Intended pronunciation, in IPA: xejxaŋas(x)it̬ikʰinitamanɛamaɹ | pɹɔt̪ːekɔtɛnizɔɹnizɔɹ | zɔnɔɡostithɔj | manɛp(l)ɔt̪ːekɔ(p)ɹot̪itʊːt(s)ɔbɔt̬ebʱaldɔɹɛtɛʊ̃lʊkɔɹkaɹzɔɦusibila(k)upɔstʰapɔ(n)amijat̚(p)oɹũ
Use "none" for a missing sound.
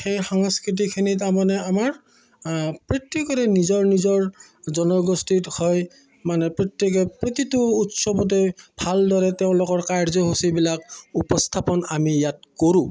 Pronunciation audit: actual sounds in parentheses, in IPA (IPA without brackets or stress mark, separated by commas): k, ɹ, p, s, k, n, k